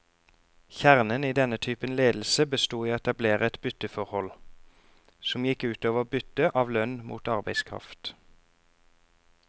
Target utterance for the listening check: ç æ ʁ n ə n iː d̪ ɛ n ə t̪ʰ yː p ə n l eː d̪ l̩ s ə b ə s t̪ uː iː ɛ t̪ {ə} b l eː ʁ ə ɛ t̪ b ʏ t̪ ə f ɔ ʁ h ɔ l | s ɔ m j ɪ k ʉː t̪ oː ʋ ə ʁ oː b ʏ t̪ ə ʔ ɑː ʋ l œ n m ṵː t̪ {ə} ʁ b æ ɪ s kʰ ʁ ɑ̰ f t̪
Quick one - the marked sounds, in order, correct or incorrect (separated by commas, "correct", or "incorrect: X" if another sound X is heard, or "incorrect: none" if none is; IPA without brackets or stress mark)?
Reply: incorrect: ɑ, incorrect: ɑ